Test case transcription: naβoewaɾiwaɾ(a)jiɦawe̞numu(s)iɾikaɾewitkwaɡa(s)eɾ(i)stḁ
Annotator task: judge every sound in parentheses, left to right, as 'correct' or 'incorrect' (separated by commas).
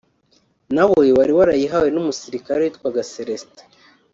correct, correct, correct, incorrect